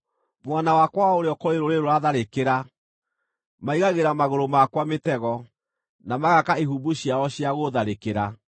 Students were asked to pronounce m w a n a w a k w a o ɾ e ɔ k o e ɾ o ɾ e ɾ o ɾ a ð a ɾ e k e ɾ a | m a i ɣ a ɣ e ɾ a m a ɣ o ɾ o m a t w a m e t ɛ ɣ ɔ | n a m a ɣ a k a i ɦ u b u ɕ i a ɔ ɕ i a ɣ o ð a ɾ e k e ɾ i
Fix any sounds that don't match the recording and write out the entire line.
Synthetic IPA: m w a n a w a k w a o ɾ e ɔ k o e ɾ o ɾ e ɾ o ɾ a ð a ɾ e k e ɾ a | m a i ɣ a ɣ e ɾ a m a ɣ o ɾ o m a k w a m e t ɛ ɣ ɔ | n a m a ɣ a k a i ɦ u b u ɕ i a ɔ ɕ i a ɣ o ð a ɾ e k e ɾ a

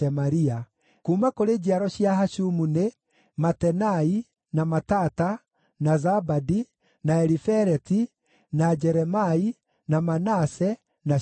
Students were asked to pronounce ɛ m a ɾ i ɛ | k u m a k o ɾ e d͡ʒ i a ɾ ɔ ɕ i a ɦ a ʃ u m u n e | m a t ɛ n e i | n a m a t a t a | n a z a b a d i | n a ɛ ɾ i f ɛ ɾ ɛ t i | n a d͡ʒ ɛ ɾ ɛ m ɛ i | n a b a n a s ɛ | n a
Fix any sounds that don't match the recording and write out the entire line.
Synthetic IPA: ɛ m a ɾ i a | k u m a k o ɾ e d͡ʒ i a ɾ ɔ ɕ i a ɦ a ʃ u m u n e | m a t ɛ n a i | n a m a t a t a | n a z a b a d i | n a ɛ ɾ i f ɛ ɾ ɛ t i | n a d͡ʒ ɛ ɾ ɛ m a i | n a m a n a s ɛ | n a

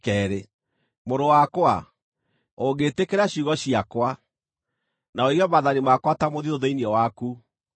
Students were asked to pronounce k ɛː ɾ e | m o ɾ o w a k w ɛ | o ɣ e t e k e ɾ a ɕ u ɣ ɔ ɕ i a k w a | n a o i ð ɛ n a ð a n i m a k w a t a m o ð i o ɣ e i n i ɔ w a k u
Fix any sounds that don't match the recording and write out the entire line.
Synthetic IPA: k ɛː ɾ e | m o ɾ o w a k w a | o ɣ e t e k e ɾ a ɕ u ɣ ɔ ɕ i a k w a | n a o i ɣ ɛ m a ð a n i m a k w a t a m o ð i o ð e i n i ɔ w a k u

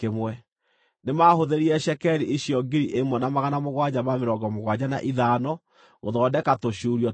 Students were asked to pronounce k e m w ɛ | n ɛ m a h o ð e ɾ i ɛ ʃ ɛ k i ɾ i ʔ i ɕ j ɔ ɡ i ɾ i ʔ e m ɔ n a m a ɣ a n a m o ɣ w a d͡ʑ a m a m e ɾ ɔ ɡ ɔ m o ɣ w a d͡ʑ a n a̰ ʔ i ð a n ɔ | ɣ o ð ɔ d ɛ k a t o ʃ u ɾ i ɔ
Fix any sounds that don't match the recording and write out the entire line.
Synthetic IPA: k e m w ɛ | n e m a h o ð e ɾ i ɛ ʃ ɛ k ɛ ɾ i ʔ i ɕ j ɔ ɡ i ɾ i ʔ e m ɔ n a m a ɣ a n a m o ɣ w a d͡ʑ a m a m e ɾ ɔ ɡ ɔ m o ɣ w a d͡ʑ a n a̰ ʔ i ð a n ɔ | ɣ o ð ɔ d ɛ k a t o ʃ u ɾ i ɔ

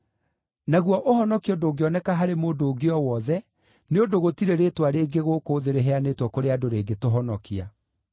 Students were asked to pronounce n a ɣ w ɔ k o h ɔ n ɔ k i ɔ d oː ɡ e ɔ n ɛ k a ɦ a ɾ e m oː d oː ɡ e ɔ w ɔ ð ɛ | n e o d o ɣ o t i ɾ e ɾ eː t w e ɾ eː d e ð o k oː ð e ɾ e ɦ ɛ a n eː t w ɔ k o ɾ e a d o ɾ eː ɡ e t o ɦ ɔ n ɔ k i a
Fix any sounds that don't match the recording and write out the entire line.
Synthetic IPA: n a ɣ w ɔ ʔ o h ɔ n ɔ k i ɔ d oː ɡ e ɔ n ɛ k a ɦ a ɾ e m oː d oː ɡ e ɔ w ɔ ð ɛ | n e o d o ɣ o t i ɾ e ɾ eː t w a ɾ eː ɡ e ɣ o k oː ð e ɾ e ɦ ɛ a n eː t w ɔ k o ɾ e a d o ɾ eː ɡ e t o ɦ ɔ n ɔ k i a

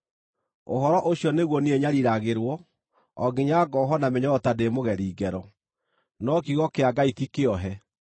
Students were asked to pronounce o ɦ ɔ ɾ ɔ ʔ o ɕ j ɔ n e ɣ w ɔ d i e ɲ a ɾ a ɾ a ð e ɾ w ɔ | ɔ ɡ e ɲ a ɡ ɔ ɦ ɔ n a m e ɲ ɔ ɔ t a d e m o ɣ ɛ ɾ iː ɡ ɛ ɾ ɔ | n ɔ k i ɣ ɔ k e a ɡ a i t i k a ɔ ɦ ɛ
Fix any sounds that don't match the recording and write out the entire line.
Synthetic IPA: o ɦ ɔ ɾ ɔ ʔ o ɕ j ɔ n e ɣ w ɔ n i e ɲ a ɾ i ɾ a ɣ e ɾ w ɔ | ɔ ɡ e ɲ a ɡ ɔ ɦ ɔ n a m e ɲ ɔ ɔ t a d e m o ɣ ɛ ɾ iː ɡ ɛ ɾ ɔ | n ɔ k i ɣ ɔ k e a ɡ a i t i k e ɔ ɦ ɛ

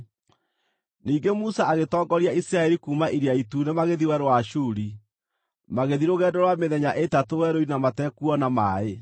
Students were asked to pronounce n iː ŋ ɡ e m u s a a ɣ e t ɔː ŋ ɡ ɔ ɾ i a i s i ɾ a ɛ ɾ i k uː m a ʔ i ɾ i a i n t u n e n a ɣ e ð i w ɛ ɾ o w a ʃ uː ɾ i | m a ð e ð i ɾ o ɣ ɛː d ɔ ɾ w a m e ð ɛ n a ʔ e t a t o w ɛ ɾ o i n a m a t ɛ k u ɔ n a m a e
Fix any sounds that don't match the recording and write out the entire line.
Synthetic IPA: n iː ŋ ɡ e m u s a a ɣ e t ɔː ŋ ɡ ɔ ɾ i a i s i ɾ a ɛ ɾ i k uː m a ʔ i ɾ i a i t u n e m a ɣ e ð i w ɛ ɾ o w a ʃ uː ɾ i | m a ɣ e ð i ɾ o ɣ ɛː d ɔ ɾ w a m e ð ɛ ɲ a ʔ e t a t o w ɛ ɾ o i n a m a t ɛ k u ɔ n a m a e

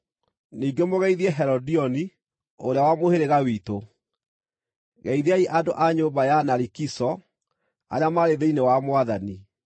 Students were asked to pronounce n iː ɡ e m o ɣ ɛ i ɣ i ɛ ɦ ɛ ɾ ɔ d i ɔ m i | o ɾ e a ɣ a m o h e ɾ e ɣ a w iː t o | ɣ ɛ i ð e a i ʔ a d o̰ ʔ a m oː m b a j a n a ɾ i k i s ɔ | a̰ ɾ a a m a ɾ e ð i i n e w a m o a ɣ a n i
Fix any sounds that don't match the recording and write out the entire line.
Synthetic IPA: n iː ɡ e m o ɣ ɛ i ð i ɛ ɦ ɛ ɾ ɔ d i ɔ n i | o ɾ e a w a m o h e ɾ e ɣ a w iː t o | ɣ ɛ i ð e a i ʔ a d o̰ ʔ a ɲ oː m b a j a n a ɾ i k i s ɔ | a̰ ɾ e a m a ɾ e ð e i n e w a m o a ð a n i

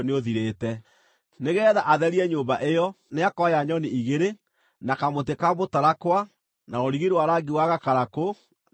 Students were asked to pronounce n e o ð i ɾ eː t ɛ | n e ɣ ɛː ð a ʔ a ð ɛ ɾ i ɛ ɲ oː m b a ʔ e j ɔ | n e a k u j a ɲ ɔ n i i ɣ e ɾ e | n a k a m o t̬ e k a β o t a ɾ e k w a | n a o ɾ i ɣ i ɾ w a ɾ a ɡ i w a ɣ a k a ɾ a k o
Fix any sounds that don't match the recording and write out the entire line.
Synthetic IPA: n e o ð i ɾ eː t ɛ | n e ɣ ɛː ð a ʔ a ð ɛ ɾ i ɛ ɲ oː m b a ʔ e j ɔ | n e a k ɔ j a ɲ ɔ n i i ɣ e ɾ e | n a k a m o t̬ e k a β o t a ɾ a k w a | n a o ɾ i ɣ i ɾ w a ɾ a ɡ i w a ɣ a k a ɾ a k o

